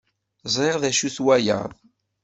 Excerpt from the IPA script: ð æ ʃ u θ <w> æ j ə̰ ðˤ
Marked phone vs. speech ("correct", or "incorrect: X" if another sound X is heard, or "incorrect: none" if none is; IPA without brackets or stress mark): correct